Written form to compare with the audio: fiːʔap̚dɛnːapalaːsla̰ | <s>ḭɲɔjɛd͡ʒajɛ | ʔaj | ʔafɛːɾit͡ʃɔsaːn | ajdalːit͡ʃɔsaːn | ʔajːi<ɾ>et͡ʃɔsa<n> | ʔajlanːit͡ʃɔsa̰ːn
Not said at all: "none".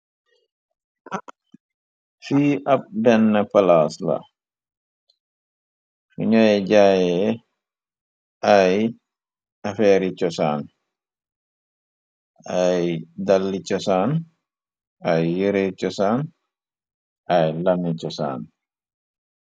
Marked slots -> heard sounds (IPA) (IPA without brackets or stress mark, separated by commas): f, ɾ, n